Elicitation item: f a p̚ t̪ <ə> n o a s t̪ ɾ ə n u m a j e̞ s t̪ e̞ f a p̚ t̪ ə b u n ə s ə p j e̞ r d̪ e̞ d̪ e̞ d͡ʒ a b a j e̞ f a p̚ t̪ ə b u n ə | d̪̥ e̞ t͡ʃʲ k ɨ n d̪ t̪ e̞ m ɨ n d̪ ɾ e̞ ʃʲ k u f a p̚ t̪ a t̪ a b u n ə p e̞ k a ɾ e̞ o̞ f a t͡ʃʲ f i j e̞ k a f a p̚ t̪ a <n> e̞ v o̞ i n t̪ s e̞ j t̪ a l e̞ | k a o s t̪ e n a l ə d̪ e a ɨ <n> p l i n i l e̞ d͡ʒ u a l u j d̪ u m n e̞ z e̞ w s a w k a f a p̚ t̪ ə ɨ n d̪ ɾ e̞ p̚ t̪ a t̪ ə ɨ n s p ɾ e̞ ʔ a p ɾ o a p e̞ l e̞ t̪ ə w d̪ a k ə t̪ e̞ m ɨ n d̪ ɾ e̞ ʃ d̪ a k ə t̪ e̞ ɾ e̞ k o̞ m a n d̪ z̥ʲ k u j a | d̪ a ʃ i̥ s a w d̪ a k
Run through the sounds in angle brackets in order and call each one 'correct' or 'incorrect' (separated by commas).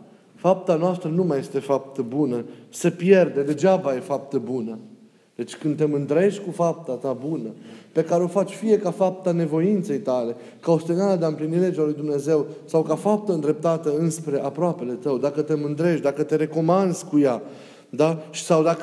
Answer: incorrect, correct, incorrect